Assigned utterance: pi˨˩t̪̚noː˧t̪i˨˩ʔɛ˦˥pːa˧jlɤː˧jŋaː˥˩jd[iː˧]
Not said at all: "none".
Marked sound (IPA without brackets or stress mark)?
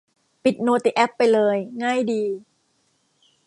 iː˧